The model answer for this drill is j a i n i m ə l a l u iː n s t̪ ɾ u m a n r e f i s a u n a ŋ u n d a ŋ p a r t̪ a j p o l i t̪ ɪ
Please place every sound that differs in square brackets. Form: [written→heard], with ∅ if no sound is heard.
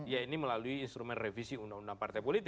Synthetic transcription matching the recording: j a i n i m ə l a l u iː n s t̪ ɾ u m [a→ɛ] n r e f i s [a→i] u n a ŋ u n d a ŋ p a r t̪ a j p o l i t̪ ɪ